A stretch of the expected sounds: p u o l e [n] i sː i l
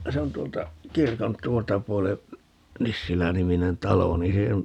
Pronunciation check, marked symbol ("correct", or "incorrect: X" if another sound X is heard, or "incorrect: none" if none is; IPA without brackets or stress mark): correct